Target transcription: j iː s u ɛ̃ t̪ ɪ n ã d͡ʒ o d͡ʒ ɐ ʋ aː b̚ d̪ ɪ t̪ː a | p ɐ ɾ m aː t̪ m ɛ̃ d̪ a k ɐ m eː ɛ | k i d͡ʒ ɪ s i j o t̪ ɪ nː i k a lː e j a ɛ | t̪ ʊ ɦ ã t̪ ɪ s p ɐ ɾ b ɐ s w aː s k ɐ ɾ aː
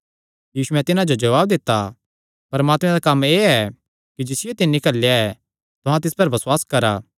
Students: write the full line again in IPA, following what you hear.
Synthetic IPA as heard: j iː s u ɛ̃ t̪ ɪ n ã d͡ʒ o d͡ʒ ɐ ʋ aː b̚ d̪ ɪ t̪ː a | p ɐ ɾ m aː t̪ m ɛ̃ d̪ a k ɐ m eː ɛ | k i d͡ʒ ɪ s ɪ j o t̪ ɪ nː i k ɐ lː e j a ɛ | t̪ ʊ ɦ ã t̪ ɪ s p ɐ ɾ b ɐ s w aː s k ɐ ɾ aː